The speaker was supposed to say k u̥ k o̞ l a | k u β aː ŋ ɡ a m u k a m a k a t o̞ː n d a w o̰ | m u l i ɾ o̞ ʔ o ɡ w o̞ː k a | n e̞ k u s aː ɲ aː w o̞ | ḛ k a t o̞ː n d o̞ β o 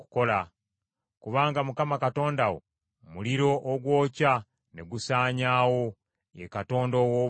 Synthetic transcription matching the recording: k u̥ k o̞ l a | k u β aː ŋ ɡ a m u k a m a k a t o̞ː n d a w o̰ | m u l i ɾ o̞ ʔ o ɡ w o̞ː c a | n e̞ ɡ u s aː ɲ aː w o̞ | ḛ k a t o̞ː n d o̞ w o